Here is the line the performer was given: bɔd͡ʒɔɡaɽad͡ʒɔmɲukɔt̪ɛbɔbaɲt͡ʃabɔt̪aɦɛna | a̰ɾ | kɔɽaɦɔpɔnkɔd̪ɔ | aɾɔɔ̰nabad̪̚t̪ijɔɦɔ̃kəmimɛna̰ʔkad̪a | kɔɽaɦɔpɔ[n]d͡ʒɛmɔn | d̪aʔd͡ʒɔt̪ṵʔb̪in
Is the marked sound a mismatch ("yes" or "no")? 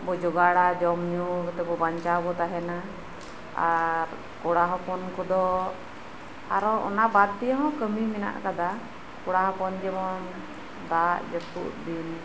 no